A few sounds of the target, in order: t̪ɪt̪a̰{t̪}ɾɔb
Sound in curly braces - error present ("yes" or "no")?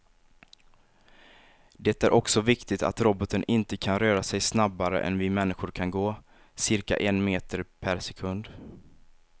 no